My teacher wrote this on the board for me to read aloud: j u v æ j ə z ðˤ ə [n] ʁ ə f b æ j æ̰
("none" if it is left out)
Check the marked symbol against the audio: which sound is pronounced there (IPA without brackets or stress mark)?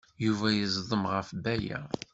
m